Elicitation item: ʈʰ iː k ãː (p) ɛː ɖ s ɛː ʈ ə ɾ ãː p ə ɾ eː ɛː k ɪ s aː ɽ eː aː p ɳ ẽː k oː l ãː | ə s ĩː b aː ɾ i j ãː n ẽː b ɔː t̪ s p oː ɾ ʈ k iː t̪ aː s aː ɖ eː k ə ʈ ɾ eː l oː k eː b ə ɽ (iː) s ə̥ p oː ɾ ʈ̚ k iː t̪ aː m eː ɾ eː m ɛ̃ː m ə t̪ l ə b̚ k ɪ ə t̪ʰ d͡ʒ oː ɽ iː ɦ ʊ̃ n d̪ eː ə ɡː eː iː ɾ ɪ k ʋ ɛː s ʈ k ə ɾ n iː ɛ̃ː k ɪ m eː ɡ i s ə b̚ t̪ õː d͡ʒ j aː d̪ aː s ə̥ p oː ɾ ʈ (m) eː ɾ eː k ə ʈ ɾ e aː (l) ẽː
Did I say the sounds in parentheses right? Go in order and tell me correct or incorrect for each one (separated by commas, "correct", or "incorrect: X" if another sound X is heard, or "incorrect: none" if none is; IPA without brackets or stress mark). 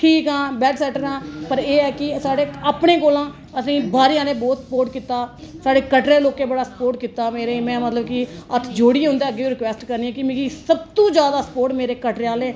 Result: incorrect: b, incorrect: aː, correct, correct